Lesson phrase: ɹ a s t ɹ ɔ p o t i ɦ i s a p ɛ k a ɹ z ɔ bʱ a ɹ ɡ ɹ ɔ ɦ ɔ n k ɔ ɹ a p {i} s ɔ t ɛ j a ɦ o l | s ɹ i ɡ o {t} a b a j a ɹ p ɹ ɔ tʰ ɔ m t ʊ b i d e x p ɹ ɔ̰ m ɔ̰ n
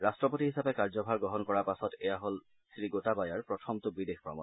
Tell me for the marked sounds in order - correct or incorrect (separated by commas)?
incorrect, correct